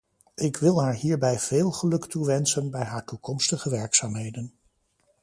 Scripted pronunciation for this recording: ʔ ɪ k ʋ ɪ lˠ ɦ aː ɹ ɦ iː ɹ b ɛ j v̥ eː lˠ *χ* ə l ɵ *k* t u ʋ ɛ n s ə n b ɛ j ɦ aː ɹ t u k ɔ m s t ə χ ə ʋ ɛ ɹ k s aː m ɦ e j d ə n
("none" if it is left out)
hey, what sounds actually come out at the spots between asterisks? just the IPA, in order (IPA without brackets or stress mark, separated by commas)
χ, k